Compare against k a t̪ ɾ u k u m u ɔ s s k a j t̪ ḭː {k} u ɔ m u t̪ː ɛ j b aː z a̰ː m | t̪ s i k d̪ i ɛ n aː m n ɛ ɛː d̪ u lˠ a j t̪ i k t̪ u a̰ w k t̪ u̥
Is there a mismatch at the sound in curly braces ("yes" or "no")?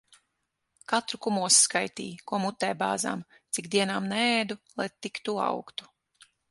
no